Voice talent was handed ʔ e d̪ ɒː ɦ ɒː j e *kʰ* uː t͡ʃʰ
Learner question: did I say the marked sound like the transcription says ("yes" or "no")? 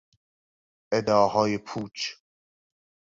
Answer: no